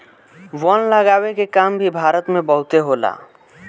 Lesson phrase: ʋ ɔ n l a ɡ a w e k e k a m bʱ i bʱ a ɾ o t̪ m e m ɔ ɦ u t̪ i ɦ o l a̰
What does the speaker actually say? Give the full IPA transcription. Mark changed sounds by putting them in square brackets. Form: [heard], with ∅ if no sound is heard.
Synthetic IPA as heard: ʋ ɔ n l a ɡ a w e k e k a m bʱ i bʱ a ɾ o t̪ m e [b] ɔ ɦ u t̪ [e] ɦ o l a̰